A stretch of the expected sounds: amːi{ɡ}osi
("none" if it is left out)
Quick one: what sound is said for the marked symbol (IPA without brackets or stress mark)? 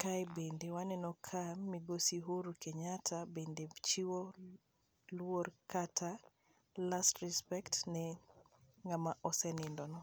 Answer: ɡ